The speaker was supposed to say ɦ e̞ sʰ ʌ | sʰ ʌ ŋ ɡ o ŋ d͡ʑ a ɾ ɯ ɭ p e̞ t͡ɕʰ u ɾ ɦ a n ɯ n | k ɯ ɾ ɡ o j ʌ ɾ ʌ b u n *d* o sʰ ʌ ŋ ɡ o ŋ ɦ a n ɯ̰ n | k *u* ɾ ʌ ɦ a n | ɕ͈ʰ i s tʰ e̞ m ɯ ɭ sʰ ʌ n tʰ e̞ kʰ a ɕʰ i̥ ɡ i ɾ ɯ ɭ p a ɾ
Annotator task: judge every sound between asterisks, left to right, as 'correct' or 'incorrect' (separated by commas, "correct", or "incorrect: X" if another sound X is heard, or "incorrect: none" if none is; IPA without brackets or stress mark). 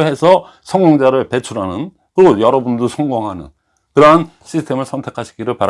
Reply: correct, incorrect: ɯ